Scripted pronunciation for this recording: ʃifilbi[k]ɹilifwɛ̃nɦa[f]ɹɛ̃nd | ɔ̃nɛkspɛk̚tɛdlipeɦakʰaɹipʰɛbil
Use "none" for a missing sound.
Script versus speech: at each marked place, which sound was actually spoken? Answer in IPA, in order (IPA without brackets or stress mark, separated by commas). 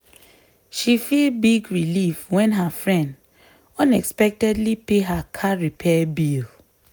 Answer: ɡ, f